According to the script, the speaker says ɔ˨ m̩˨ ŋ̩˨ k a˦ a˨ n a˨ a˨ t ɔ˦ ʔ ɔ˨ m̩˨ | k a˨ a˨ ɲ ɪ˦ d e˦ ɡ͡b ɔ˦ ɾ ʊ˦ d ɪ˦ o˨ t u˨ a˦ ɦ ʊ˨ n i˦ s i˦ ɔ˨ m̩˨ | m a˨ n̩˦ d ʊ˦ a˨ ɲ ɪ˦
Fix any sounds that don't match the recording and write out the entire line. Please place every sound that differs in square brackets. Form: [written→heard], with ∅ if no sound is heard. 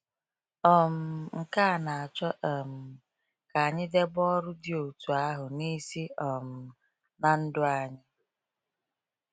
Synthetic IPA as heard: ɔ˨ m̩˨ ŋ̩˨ k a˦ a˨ n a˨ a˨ [t→t͡ʃ] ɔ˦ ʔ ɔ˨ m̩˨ | k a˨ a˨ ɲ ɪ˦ d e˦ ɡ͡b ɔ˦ ɾ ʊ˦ d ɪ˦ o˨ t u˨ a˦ ɦ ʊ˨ n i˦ s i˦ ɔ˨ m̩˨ | [m→n] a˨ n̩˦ d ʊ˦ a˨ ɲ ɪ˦